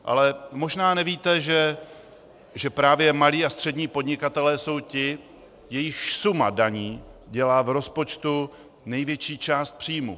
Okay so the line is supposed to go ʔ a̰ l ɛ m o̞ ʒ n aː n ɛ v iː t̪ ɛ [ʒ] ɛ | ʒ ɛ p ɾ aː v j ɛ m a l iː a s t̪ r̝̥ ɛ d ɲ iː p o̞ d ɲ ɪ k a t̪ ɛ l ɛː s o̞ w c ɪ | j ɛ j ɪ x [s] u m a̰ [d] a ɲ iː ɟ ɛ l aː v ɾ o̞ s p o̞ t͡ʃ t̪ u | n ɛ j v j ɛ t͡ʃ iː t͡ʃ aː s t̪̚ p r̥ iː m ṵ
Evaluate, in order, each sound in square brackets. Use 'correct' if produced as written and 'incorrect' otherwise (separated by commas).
correct, correct, correct